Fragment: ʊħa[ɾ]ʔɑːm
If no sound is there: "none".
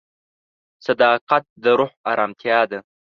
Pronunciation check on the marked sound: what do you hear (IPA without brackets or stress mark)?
ɾ